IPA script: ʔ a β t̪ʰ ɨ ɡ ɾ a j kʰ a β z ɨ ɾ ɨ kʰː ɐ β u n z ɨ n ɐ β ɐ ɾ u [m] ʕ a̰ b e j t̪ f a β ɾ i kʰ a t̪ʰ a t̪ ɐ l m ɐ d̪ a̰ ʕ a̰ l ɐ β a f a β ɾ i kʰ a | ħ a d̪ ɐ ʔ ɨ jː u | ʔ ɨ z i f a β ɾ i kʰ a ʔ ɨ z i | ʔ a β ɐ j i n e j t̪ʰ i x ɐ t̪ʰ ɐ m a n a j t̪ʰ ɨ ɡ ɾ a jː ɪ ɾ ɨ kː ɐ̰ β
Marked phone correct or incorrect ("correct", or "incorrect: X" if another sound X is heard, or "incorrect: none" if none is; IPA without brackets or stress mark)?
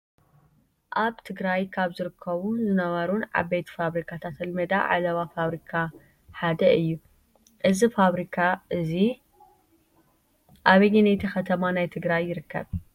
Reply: incorrect: n